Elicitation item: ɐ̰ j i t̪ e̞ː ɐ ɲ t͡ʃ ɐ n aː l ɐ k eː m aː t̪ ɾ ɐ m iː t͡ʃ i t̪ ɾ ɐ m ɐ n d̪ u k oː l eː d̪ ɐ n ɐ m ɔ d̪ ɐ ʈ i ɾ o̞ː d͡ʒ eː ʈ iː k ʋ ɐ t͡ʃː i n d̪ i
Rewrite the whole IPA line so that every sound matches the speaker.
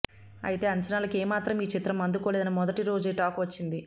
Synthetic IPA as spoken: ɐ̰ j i t̪ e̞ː ɐ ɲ t͡ʃ ɐ n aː l ɐ k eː m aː t̪ ɾ ɐ m iː t͡ʃ i t̪ ɾ ɐ m ɐ n d̪ u k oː l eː d̪ ɐ n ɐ m ɔ d̪ ɐ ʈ i ɾ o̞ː d͡ʒ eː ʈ aː k ʋ ɐ t͡ʃː i n d̪ i